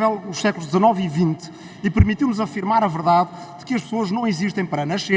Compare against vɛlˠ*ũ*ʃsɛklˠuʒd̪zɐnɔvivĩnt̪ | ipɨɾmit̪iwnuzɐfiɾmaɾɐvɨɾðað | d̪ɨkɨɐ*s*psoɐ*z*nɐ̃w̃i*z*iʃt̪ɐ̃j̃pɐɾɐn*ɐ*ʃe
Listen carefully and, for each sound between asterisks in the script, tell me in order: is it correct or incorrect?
incorrect: u, incorrect: ʃ, incorrect: ʒ, correct, correct

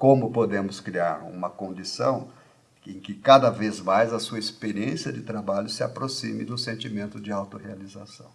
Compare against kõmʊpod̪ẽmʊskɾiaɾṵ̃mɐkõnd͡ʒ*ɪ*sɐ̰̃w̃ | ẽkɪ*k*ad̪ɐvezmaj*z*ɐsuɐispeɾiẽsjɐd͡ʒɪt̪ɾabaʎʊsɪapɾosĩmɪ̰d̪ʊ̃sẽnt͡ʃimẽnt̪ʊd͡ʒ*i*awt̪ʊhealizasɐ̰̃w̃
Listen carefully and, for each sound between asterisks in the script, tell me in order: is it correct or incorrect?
incorrect: i, correct, correct, incorrect: ɪ

